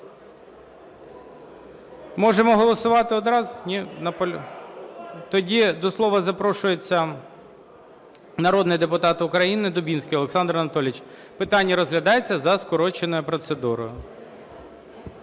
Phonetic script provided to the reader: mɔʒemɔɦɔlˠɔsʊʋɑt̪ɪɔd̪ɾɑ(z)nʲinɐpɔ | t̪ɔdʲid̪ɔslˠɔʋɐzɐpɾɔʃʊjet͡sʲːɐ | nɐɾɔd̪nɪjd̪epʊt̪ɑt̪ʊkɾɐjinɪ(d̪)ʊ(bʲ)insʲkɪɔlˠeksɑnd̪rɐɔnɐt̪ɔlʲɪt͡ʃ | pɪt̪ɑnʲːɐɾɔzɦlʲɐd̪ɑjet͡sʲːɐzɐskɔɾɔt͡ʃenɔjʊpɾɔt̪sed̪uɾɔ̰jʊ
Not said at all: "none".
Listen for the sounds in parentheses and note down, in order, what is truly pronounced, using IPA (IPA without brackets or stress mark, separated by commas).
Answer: z, d̪, bʲ